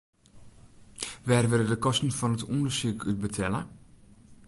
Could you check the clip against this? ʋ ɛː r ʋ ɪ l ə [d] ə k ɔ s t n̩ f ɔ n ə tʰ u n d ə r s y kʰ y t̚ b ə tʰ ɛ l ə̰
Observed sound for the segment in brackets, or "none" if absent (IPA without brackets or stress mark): d